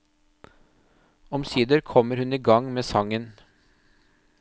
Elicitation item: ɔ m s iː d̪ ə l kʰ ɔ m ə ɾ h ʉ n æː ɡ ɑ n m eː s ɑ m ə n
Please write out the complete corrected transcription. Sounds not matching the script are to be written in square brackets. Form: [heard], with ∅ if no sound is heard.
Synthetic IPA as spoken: ɔ m s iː d̪ ə [ɾ] kʰ ɔ m ə ɾ h ʉ n [iː] ɡ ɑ [ŋ] m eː s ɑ [ŋ] ə n